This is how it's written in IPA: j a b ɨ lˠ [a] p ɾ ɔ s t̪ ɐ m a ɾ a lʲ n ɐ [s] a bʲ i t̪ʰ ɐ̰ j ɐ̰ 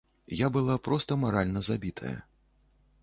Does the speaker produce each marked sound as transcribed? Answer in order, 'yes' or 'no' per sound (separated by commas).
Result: yes, no